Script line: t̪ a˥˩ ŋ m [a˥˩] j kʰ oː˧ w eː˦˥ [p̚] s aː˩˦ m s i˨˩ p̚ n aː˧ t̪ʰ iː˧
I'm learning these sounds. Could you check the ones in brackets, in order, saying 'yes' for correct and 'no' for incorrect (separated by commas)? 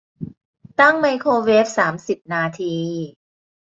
no, yes